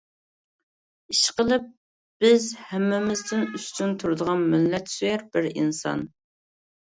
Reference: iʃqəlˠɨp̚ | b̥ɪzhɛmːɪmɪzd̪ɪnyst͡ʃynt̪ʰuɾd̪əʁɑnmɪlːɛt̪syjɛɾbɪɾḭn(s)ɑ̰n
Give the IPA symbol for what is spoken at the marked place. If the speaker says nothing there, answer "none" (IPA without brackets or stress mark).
s